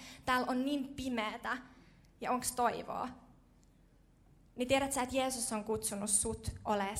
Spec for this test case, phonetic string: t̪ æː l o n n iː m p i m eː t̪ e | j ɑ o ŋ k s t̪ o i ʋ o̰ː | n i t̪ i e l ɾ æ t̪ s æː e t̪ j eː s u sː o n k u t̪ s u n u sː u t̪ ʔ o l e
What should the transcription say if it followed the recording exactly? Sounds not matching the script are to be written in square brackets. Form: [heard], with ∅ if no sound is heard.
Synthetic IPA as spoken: t̪ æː l o n n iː m p i m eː t̪ [æ] | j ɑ o ŋ k s t̪ o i ʋ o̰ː | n i t̪ i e [∅] ɾ æ t̪ s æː e t̪ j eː s u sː o [ŋ] k u t̪ s u n u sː u t̪ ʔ o l e